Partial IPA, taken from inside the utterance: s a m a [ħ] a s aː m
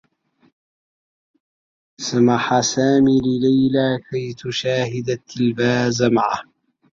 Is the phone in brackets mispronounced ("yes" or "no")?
no